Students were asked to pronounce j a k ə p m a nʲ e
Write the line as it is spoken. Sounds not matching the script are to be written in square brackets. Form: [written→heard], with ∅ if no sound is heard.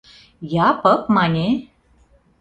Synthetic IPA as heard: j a [k→p] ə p m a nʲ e